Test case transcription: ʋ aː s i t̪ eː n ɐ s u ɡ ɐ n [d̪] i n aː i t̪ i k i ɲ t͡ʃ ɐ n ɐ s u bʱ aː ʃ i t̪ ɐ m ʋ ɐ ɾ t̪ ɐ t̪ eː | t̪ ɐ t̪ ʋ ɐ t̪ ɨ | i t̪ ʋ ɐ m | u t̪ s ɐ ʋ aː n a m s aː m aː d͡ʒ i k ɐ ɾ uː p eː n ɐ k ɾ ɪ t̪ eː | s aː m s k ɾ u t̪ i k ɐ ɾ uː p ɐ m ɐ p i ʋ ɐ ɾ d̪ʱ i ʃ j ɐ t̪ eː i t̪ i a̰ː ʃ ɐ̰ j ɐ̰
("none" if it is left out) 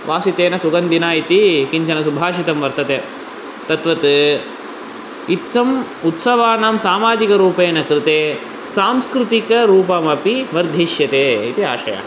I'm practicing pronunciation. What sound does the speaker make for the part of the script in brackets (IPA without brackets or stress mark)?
d̪